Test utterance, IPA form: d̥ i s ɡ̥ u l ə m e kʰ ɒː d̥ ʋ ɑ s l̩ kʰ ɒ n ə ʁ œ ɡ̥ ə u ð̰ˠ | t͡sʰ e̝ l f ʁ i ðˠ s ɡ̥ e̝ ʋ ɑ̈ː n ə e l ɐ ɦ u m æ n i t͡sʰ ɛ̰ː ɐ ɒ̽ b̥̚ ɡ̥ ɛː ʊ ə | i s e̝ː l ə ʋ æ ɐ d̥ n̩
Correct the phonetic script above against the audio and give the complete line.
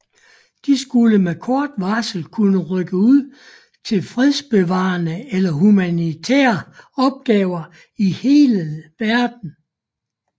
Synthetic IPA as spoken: d̥ i s ɡ̥ u l ə m e kʰ ɒː d̥ ʋ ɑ s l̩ kʰ u n ə ʁ œ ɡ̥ ə u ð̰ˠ | t͡sʰ e̝ l f ʁ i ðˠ s b̥ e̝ ʋ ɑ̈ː n ə e l ɐ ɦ u m æ n i t͡sʰ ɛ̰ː ɐ ɒ̽ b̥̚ ɡ̥ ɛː ʊ ɐ | i h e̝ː l ə ʋ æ ɐ d̥ n̩